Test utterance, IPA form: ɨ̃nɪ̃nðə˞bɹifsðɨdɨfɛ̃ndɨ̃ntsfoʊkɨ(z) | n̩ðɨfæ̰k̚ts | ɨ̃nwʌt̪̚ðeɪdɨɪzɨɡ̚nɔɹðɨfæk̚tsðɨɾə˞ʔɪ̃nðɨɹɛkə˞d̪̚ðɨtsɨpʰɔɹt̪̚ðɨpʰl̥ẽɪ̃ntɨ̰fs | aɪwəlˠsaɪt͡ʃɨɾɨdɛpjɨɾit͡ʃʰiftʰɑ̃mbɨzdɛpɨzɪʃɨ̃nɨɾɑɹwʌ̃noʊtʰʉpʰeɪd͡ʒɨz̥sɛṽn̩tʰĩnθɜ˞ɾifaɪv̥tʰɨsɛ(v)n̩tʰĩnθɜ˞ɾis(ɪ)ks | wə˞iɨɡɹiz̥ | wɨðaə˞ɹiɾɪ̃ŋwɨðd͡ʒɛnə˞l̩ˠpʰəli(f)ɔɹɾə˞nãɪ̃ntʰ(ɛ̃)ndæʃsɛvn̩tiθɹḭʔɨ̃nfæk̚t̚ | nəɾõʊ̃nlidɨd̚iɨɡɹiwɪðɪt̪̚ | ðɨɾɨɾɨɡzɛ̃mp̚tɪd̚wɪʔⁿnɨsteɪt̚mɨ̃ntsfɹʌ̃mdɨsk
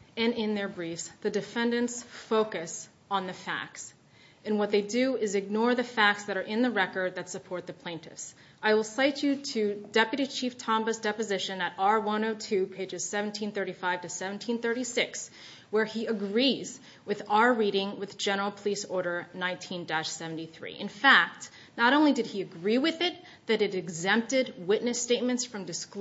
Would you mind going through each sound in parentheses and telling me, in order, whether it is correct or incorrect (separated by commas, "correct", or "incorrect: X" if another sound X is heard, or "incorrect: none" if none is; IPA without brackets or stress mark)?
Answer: incorrect: s, correct, correct, incorrect: s, incorrect: ĩ